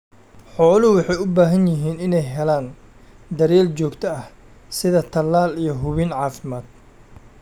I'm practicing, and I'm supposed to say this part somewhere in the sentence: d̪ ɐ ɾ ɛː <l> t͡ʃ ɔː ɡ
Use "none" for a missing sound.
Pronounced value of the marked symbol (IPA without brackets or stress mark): l